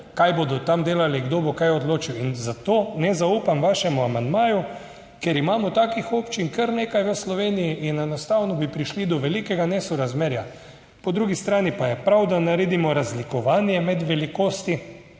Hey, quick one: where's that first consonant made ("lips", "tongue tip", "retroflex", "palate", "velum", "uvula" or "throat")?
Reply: velum